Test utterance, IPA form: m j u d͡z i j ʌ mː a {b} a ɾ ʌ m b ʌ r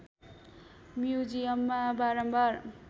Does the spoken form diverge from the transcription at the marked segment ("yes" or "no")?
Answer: no